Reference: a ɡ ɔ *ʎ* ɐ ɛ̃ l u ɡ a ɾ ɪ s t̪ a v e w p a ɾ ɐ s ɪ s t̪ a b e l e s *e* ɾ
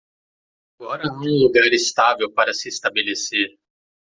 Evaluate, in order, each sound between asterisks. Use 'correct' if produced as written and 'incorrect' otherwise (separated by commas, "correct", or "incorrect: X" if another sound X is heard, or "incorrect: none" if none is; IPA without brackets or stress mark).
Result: incorrect: ɾ, correct